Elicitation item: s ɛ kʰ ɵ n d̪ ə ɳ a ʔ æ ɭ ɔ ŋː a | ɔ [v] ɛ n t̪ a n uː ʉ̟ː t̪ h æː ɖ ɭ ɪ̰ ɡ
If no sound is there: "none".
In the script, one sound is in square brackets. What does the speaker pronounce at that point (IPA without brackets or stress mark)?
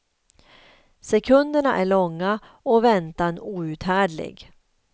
v